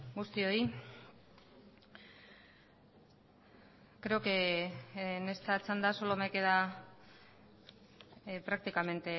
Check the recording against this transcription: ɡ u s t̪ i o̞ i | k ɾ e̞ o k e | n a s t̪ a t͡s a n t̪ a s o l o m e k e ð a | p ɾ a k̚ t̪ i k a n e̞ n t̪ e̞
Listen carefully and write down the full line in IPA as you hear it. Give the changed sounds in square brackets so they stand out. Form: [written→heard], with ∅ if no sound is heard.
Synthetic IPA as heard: ɡ u s t̪ i o̞ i | k ɾ e̞ o k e | n [a→e] s t̪ a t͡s a n [t̪→d̪] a s o l o m e k e ð a | p ɾ a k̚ t̪ i k a [n→m] e̞ n t̪ e̞